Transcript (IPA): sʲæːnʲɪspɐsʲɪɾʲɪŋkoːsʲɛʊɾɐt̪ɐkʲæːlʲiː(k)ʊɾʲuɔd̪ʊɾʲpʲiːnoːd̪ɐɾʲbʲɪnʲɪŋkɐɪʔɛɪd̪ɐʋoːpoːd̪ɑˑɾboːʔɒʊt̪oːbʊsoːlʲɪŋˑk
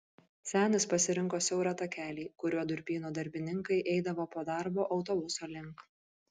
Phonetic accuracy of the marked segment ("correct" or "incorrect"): correct